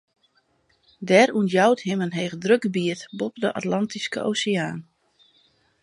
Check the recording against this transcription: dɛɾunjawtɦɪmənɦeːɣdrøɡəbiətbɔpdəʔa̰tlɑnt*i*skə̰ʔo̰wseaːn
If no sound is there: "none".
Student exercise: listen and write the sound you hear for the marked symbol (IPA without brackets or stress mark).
i